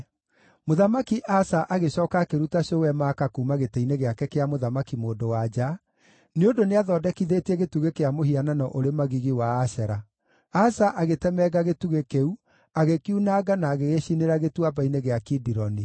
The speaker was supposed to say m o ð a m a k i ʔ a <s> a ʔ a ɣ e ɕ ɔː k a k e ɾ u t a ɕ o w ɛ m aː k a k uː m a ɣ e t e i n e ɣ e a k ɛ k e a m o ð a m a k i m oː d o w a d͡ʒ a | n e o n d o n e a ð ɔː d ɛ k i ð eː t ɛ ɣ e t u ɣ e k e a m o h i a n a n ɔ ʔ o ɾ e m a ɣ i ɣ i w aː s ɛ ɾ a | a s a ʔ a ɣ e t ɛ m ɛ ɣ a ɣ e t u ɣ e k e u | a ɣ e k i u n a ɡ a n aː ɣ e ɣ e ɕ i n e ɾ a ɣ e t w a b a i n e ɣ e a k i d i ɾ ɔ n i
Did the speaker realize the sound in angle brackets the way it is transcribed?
yes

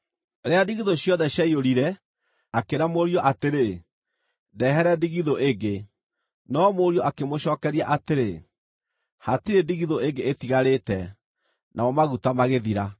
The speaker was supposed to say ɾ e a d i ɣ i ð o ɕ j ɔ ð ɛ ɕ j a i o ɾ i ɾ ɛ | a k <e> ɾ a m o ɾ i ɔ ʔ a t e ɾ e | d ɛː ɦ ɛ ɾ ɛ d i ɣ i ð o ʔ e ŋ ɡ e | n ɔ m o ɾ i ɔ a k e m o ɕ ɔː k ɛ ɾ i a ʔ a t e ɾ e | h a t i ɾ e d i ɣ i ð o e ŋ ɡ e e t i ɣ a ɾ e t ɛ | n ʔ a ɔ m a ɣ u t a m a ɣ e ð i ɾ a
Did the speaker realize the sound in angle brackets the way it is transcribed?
yes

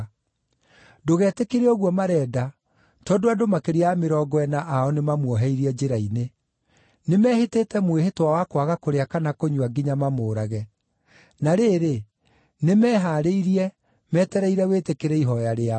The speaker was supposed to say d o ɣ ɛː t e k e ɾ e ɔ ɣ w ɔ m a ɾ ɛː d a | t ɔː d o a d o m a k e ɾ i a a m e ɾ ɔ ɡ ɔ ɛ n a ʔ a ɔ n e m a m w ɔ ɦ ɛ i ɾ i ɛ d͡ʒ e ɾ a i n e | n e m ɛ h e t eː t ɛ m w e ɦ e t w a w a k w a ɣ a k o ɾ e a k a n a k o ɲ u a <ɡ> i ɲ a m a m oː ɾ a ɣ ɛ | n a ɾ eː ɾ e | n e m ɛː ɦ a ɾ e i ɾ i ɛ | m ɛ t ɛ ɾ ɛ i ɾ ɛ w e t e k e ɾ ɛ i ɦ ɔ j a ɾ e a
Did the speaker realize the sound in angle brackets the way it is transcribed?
yes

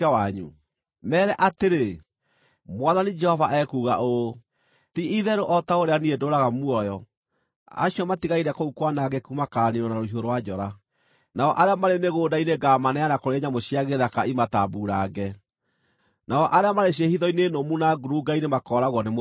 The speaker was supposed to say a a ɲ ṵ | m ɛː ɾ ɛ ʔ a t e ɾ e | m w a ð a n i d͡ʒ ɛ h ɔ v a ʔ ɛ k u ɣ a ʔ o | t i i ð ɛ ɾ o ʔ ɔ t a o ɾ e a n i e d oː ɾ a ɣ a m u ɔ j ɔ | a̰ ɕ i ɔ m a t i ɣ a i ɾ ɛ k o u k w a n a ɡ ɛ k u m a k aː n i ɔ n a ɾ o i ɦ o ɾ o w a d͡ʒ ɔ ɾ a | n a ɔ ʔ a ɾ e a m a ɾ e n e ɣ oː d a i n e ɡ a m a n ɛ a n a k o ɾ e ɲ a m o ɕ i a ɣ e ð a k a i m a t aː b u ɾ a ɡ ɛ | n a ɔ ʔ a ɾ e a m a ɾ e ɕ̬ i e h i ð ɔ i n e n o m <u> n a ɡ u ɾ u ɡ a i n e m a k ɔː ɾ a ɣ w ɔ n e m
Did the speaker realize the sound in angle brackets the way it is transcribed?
yes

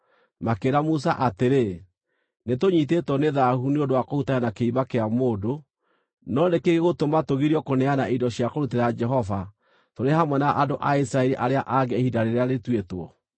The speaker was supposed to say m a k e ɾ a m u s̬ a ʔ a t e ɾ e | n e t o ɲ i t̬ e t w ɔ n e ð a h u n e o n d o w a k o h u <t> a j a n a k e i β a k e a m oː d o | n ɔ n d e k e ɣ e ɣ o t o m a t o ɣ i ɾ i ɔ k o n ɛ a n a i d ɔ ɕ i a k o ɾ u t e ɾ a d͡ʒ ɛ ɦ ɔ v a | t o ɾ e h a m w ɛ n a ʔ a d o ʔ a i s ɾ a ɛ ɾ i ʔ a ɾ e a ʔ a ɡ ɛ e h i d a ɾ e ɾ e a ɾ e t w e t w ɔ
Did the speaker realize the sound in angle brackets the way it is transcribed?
yes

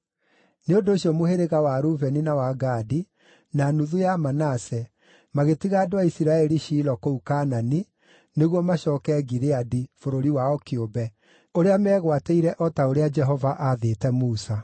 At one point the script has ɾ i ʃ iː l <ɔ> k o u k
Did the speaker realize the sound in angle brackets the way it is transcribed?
yes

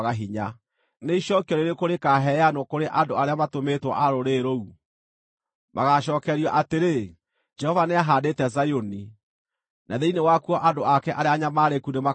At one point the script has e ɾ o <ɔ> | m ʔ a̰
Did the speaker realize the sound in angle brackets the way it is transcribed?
no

